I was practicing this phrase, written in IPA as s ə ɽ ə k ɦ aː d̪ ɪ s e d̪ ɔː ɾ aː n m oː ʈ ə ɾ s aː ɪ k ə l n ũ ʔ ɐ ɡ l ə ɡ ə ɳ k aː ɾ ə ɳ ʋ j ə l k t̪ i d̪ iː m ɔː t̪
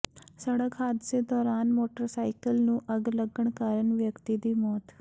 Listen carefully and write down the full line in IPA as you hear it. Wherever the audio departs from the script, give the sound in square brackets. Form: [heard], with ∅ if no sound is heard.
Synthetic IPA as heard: s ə ɽ ə k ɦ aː d̪ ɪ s e d̪ ɔː ɾ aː n m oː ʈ ə ɾ s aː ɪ k ə l n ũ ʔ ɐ ɡ l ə ɡ ə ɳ k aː ɾ ə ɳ ʋ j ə [∅] k t̪ i d̪ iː m ɔː t̪